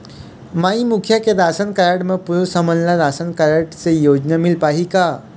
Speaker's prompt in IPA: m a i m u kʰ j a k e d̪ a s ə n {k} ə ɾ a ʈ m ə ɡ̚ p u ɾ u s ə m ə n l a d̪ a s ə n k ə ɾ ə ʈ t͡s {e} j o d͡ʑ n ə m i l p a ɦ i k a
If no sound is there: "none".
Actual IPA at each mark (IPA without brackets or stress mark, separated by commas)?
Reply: k, e